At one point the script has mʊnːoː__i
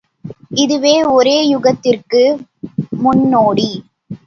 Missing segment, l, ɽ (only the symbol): ɽ